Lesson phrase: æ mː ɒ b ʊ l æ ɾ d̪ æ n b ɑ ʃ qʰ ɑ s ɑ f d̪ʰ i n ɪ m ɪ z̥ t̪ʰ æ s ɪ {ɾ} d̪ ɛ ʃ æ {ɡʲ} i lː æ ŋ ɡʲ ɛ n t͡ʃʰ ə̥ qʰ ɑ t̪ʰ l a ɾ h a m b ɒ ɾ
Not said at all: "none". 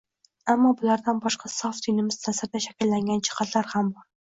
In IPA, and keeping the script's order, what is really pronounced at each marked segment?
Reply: ɾ, kʲ

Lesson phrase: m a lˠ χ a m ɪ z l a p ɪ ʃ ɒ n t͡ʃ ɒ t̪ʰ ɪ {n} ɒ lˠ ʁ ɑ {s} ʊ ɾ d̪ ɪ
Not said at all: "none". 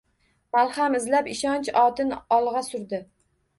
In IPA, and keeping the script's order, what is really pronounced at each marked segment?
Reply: n, s

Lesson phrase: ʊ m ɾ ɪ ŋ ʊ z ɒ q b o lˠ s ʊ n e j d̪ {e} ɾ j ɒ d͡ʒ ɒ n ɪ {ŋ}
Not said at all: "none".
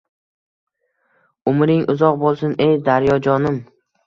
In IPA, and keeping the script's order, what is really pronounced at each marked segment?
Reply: a, m

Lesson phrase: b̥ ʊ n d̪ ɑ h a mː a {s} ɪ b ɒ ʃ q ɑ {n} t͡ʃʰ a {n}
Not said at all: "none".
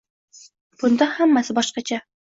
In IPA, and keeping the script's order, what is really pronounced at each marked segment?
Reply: s, none, none

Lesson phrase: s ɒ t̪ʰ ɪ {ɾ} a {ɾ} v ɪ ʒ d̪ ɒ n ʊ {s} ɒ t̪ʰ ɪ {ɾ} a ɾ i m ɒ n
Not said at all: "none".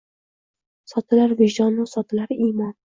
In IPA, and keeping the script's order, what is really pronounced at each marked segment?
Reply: l, ɾ, s, l

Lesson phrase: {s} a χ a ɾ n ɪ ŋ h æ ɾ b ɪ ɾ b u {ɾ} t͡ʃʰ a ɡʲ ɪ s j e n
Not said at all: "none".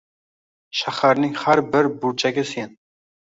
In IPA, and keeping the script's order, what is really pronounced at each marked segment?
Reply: ʃ, ɾ

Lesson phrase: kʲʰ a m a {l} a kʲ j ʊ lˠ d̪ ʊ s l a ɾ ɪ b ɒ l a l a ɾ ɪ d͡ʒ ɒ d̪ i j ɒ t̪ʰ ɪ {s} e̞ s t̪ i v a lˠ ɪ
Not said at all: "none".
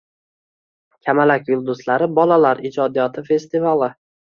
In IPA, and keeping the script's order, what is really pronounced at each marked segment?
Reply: l, f

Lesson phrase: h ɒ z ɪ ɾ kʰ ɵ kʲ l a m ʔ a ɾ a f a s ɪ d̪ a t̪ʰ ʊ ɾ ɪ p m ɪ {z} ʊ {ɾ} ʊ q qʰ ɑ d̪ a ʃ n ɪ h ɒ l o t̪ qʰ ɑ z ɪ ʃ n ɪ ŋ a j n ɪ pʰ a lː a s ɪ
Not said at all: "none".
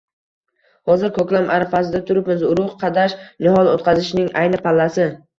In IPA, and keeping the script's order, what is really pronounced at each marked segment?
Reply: z, ɾ

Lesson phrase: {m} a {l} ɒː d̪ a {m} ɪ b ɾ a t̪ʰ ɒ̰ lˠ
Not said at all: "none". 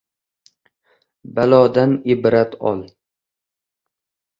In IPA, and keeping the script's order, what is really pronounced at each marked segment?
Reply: b, l, n

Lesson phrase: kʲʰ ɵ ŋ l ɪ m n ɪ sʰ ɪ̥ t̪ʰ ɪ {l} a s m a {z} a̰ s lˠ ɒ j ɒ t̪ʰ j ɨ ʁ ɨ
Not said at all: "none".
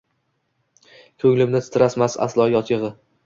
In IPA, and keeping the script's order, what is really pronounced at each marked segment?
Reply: ɾ, s

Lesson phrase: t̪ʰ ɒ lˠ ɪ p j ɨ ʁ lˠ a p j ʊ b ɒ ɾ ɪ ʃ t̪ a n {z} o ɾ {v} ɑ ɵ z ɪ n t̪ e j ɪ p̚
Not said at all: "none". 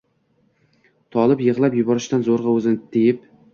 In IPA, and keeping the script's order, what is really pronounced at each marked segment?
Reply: z, ʁ

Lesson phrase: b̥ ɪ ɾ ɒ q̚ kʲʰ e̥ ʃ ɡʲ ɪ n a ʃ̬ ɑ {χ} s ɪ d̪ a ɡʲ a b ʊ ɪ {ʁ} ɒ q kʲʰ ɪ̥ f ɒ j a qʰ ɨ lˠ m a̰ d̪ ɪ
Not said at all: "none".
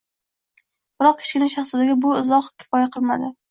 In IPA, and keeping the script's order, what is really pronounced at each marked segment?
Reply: χ, z

